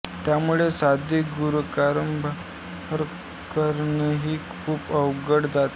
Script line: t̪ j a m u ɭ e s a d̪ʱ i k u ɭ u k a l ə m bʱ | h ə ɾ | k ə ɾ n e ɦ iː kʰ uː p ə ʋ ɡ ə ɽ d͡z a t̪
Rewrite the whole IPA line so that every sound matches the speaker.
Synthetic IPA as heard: t̪ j a m u ɭ e s a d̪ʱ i ɡ u ɾ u k a ɾ ə m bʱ | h ə ɾ | k ə ɾ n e ɦ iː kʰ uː p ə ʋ ɡ ə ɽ d͡z a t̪